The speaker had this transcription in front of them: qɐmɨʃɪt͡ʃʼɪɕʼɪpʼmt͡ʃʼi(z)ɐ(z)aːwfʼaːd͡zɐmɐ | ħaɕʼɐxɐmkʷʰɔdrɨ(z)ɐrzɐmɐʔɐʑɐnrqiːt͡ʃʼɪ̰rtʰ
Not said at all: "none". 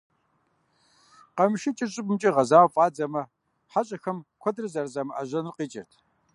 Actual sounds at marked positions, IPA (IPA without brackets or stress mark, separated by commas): ʁ, z, z